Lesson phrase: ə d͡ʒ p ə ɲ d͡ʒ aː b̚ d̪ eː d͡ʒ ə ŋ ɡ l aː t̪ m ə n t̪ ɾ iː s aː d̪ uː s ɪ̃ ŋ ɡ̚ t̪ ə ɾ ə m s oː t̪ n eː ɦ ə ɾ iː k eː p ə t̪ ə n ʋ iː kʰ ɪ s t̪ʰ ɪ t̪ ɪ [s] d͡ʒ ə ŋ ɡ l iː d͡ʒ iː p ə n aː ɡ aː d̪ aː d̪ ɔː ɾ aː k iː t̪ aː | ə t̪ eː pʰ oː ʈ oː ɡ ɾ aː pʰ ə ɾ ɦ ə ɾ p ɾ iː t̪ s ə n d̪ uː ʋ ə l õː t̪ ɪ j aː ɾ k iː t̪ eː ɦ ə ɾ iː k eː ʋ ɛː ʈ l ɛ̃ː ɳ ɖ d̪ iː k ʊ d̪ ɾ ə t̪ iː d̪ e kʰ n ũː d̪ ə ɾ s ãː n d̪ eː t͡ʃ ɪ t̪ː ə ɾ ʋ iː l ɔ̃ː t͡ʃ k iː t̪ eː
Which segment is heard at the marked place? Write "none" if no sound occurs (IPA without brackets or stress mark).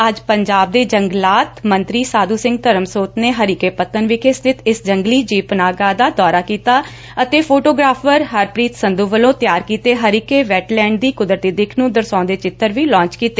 s